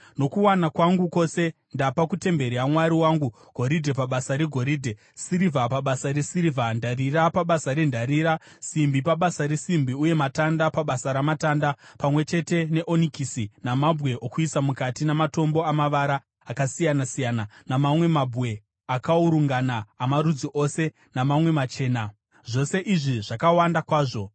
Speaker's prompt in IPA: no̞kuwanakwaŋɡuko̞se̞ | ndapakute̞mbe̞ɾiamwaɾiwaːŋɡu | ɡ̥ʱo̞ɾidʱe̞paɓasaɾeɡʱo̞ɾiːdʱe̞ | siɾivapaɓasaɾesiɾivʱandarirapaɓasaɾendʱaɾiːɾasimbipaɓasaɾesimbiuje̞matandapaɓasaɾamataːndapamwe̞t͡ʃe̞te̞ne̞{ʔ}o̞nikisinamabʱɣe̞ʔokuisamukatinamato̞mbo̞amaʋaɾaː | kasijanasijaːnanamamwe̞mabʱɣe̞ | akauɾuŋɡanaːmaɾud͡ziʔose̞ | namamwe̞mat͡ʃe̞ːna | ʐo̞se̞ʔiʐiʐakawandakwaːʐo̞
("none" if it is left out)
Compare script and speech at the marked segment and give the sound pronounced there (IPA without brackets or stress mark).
ʔ